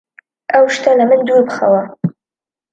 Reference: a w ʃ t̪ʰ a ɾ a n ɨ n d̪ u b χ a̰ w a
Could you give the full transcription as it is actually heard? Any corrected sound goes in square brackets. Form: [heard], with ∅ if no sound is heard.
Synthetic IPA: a w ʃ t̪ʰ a [l] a [m] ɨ n d̪ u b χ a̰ w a